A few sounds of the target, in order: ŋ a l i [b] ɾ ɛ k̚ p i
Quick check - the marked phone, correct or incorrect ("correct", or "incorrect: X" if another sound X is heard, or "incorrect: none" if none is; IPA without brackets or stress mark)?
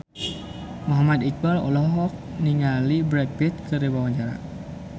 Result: correct